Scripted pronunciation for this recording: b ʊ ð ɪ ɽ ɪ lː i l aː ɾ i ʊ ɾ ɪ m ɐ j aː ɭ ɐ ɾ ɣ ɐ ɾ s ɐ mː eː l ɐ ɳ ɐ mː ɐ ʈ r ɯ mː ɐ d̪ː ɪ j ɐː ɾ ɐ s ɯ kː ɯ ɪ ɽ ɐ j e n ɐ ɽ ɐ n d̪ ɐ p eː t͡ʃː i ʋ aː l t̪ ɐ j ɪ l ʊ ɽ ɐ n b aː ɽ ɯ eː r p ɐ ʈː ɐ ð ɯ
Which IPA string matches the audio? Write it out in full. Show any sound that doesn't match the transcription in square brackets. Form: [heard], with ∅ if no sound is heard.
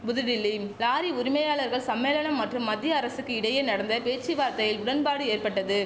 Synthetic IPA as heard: b ʊ ð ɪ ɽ ɪ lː i l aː ɾ i ʊ ɾ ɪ m ɐ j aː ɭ ɐ ɾ ɣ ɐ [ɭ] s ɐ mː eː l ɐ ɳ ɐ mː ɐ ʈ r ɯ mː ɐ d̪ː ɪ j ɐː ɾ ɐ s ɯ kː ɯ ɪ ɽ ɐ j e n ɐ ɽ ɐ n d̪ ɐ p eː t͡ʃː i ʋ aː [ɾ] t̪ ɐ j ɪ l ʊ ɽ ɐ n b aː ɽ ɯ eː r p ɐ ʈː ɐ ð ɯ